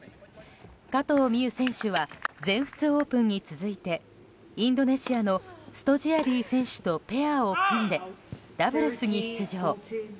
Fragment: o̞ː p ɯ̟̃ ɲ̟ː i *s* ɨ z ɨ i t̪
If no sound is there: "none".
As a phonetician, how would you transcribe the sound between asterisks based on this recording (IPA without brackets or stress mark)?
t͡s